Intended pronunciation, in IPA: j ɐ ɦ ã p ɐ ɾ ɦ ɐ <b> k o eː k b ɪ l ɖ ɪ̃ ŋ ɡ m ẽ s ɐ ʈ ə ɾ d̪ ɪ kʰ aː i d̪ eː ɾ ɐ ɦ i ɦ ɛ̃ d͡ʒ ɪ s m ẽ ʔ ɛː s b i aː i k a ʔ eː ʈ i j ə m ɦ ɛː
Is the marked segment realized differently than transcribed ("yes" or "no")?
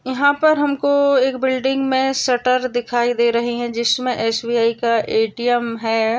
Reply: yes